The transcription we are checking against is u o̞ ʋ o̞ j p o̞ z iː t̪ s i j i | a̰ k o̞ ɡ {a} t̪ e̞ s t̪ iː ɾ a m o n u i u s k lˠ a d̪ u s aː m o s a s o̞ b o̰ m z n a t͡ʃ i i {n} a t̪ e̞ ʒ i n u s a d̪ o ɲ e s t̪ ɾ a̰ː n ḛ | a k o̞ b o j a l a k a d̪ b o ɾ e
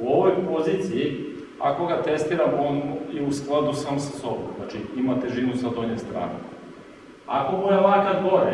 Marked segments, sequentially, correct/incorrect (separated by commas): correct, incorrect